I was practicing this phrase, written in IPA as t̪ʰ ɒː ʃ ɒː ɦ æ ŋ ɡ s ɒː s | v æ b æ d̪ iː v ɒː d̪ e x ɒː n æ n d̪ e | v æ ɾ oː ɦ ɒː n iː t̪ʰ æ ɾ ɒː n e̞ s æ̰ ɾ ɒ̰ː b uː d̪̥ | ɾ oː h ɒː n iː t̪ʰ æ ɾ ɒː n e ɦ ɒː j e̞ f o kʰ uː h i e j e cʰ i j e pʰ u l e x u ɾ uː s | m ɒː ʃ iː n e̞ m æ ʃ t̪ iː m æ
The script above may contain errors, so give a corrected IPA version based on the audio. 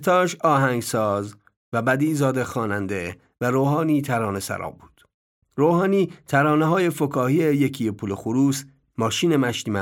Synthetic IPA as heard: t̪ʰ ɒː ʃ ɒː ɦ æ ŋ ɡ s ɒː z | v æ b æ d̪ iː z ɒː d̪ e x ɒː n æ n d̪ e | v æ ɾ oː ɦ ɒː n iː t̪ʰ æ ɾ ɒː n e̞ s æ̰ ɾ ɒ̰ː b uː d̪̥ | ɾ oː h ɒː n iː t̪ʰ æ ɾ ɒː n e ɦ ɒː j e̞ f o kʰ ɒː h i e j e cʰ i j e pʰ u l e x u ɾ uː s | m ɒː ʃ iː n e̞ m æ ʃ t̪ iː m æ